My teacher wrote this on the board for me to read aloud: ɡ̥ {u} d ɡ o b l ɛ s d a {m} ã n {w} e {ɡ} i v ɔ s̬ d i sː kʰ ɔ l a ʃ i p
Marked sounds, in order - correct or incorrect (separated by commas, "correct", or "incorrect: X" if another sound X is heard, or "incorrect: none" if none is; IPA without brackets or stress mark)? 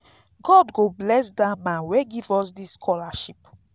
incorrect: ɔ, correct, correct, correct